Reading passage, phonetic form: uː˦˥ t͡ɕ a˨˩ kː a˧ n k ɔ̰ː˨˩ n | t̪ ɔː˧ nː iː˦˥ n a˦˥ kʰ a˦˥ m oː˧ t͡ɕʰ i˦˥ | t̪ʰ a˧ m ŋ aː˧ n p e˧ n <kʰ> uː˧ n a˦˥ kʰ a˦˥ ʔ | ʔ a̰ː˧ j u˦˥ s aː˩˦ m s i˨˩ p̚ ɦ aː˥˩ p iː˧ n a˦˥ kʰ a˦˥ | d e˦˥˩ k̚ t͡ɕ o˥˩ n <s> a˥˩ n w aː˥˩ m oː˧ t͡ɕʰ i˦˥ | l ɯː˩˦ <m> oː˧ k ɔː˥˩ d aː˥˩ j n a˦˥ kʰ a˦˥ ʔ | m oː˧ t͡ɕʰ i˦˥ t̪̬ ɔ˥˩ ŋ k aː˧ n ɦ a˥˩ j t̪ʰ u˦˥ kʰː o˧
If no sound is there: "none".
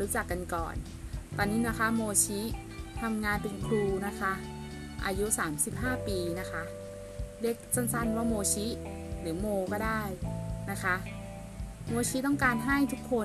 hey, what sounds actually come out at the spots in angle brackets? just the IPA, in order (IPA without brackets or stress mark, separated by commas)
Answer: kʰ, s, m